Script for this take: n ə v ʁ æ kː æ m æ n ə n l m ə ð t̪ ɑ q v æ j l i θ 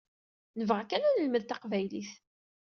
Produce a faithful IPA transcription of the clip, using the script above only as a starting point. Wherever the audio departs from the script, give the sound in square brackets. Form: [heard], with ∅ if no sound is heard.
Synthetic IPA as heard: n ə v ʁ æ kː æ [n] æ n ə [∅] l m ə ð t̪ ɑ q v æ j l i θ